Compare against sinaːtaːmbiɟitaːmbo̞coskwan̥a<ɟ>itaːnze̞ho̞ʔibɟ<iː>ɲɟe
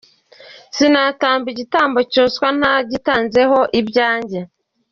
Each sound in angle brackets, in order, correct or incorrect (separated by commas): correct, incorrect